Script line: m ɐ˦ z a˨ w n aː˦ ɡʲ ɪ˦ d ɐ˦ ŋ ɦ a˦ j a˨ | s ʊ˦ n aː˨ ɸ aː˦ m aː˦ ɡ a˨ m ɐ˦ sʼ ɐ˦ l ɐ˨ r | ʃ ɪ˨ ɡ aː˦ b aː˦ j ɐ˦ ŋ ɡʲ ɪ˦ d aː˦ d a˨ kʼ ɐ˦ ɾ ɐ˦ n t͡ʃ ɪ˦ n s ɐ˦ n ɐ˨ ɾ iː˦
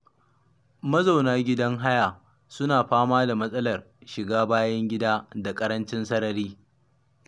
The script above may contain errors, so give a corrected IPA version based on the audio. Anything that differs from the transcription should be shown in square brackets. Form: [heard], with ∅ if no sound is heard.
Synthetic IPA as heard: m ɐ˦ z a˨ w n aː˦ ɡʲ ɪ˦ d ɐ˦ ŋ ɦ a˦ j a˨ | s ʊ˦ n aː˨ ɸ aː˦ m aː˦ [d] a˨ m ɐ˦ sʼ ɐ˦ l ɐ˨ r | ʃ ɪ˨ ɡ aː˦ b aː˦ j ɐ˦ ŋ ɡʲ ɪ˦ d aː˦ d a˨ kʼ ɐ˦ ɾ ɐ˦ n t͡ʃ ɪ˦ n s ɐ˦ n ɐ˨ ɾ iː˦

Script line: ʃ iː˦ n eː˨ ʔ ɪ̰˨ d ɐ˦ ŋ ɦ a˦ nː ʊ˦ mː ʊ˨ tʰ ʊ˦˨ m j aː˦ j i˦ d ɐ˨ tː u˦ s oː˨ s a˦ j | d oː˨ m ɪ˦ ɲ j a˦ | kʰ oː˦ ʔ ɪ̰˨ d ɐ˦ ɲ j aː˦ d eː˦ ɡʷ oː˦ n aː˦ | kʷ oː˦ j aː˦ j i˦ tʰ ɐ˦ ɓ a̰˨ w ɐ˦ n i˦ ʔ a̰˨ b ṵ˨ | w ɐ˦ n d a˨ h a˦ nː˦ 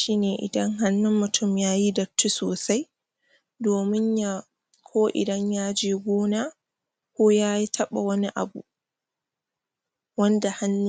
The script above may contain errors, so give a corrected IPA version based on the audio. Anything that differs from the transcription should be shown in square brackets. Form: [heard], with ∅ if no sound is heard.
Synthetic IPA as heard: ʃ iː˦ n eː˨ ʔ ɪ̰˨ d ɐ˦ ŋ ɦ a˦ nː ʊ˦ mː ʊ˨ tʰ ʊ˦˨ m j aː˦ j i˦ d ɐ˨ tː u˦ s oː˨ s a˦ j | d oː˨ m ɪ˦ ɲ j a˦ | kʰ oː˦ ʔ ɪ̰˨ d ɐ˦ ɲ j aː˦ [d͡ʒ] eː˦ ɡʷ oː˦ n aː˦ | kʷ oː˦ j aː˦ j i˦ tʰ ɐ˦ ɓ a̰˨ w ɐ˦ n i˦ ʔ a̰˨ b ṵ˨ | w ɐ˦ n d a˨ h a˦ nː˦

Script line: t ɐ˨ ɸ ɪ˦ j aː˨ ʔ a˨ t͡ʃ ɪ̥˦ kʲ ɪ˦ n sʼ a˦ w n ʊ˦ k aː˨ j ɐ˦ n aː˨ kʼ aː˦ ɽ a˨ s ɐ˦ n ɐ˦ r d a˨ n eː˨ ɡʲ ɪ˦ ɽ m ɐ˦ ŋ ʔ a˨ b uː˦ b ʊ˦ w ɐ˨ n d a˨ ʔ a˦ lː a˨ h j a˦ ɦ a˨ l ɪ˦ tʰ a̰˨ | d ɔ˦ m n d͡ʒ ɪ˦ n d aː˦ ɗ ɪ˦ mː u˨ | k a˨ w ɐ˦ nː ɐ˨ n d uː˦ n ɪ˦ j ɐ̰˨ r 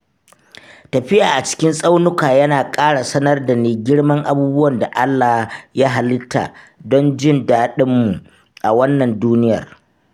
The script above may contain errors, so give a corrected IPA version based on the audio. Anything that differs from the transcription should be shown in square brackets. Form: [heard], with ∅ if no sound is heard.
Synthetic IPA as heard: t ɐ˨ ɸ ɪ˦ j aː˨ ʔ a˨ t͡ʃ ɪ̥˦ kʲ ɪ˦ n sʼ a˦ w n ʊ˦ k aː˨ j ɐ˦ n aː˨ kʼ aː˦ ɽ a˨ s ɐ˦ n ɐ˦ r d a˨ n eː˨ ɡʲ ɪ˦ ɽ m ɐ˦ ŋ ʔ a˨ b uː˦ b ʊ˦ w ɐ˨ n d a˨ ʔ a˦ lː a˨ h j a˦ ɦ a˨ l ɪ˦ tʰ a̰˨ | d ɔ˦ [∅] n d͡ʒ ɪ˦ n d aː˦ ɗ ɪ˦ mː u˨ | [ʔ] a˨ w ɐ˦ nː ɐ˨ n d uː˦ n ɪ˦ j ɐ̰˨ r

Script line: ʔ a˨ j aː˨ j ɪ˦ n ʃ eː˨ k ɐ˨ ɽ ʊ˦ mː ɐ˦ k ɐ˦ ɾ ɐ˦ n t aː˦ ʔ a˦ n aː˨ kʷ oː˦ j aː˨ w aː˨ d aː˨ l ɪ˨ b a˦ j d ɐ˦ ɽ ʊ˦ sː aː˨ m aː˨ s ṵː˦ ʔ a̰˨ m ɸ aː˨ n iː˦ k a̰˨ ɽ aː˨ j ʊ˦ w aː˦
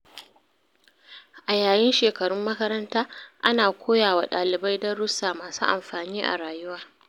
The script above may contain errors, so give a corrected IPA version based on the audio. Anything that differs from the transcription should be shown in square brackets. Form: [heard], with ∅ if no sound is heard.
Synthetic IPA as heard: ʔ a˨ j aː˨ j ɪ˦ n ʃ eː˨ k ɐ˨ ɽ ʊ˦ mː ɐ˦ k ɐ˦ ɾ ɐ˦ n t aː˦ ʔ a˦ n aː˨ kʷ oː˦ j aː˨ w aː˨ [ɗ] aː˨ l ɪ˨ b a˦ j d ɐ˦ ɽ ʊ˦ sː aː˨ m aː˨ s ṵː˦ ʔ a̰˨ m ɸ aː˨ n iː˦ [ʔ] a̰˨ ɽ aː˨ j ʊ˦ w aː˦

